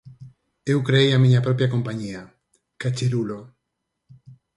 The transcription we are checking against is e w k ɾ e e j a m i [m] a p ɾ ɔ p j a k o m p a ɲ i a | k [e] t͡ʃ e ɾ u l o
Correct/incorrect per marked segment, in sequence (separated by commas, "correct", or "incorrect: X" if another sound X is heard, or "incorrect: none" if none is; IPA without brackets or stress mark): incorrect: ɲ, incorrect: a